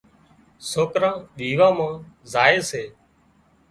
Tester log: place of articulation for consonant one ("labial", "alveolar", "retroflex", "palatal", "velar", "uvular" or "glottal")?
alveolar